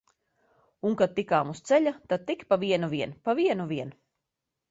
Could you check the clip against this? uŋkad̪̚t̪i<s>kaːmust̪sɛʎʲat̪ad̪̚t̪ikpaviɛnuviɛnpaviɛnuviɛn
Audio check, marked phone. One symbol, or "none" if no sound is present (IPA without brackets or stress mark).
none